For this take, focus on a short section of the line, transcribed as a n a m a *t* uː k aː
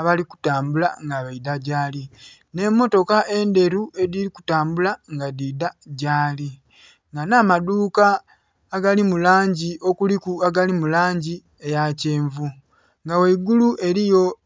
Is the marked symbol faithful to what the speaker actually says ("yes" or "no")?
no